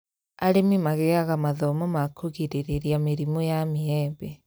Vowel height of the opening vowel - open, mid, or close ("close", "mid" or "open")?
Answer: open